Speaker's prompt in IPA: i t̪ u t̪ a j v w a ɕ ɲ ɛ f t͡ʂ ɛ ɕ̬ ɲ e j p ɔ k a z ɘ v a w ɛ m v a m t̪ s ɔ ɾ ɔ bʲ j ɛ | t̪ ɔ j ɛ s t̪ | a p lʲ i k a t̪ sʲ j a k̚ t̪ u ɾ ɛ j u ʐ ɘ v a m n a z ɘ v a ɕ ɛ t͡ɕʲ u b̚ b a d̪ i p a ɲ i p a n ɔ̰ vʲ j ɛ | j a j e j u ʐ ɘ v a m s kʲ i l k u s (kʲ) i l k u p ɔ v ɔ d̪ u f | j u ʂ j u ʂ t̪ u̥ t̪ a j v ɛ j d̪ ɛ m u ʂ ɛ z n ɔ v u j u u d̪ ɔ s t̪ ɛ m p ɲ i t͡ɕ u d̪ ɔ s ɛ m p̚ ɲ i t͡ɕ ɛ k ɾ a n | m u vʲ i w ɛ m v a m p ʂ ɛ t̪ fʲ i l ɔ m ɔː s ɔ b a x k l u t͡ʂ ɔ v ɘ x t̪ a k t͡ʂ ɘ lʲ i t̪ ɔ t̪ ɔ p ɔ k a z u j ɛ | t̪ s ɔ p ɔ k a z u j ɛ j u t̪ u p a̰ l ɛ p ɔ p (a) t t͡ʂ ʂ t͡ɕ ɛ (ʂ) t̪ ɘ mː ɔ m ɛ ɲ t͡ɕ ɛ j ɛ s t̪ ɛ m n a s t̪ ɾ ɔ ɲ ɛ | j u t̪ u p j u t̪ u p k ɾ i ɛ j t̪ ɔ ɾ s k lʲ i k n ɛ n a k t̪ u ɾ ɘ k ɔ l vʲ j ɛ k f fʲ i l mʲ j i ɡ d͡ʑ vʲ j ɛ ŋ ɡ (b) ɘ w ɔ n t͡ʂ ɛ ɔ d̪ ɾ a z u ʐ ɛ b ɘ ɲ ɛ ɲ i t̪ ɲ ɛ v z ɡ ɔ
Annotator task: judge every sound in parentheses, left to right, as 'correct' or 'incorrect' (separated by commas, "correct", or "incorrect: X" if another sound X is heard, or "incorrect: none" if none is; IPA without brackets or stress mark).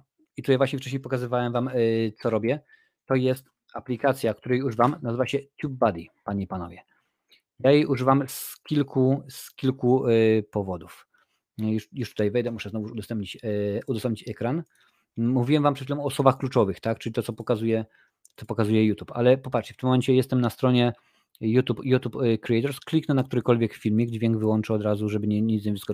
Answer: correct, correct, incorrect: f, incorrect: v